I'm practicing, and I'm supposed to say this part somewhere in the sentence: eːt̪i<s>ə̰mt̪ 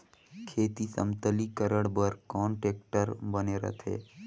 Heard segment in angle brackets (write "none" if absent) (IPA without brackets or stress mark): s